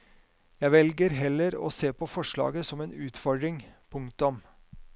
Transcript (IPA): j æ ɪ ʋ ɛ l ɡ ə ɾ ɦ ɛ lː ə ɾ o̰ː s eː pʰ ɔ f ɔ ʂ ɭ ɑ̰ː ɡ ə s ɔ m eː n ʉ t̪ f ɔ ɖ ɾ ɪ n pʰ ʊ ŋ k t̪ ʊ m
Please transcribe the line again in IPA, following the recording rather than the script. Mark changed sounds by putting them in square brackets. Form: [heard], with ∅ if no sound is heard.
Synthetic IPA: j æ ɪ ʋ ɛ l ɡ ə ɾ ɦ ɛ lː ə ɾ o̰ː s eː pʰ ɔ f ɔ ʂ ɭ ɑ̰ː ɡ ə s ɔ m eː n [ʉː] t̪ f ɔ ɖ ɾ ɪ [ŋ] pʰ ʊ ŋ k t̪ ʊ m